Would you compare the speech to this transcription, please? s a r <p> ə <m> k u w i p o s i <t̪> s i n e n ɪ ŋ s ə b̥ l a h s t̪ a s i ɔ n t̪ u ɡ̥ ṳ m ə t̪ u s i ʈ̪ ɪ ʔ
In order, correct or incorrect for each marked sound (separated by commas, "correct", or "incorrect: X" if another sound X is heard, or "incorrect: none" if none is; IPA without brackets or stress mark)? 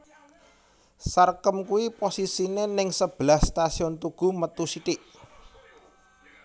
incorrect: k, correct, incorrect: none